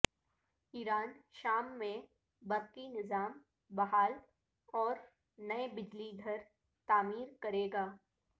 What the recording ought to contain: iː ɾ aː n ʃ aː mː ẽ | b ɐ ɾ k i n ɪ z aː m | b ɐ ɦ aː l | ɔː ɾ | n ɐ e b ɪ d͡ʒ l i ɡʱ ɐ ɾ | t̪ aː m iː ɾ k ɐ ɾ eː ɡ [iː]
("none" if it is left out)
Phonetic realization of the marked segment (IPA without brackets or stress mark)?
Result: aː